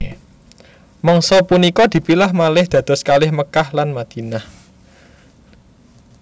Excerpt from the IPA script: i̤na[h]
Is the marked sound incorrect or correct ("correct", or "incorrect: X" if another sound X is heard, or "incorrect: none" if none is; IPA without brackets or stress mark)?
correct